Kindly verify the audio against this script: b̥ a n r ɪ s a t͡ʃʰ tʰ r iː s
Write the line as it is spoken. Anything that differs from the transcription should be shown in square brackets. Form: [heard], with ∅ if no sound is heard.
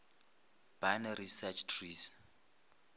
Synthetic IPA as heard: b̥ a n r [i] s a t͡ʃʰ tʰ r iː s